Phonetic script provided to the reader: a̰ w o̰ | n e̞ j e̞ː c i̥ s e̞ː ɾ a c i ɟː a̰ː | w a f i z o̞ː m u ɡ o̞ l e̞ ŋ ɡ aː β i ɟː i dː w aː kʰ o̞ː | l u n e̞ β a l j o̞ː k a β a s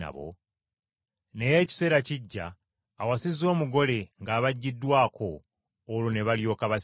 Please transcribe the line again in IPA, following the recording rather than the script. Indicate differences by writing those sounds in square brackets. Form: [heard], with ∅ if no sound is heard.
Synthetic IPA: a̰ [β] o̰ | n e̞ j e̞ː c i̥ s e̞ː ɾ a c i ɟː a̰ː | w a [s] i z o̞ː m u ɡ o̞ l e̞ ŋ ɡ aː β [a] ɟː i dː w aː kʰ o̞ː | l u n e̞ β a l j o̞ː k a β a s